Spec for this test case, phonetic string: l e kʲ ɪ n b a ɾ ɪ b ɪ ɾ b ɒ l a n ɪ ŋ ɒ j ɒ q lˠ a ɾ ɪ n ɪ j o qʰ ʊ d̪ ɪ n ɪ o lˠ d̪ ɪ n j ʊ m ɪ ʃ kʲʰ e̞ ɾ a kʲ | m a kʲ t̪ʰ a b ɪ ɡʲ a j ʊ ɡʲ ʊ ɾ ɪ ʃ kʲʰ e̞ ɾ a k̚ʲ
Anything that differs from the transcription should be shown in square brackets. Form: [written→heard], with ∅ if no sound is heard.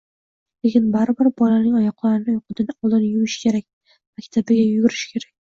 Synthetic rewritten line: l e kʲ ɪ n b a ɾ ɪ b ɪ ɾ b ɒ l a n ɪ ŋ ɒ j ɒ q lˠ a ɾ ɪ n ɪ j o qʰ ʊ d̪ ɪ n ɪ [o→ɒ] lˠ d̪ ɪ n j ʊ m ɪ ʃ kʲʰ e̞ ɾ a kʲ | m a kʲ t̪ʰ a b ɪ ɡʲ a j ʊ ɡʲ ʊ ɾ ɪ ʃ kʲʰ e̞ ɾ a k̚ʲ